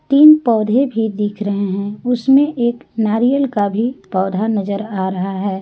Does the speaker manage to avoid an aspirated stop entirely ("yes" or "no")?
no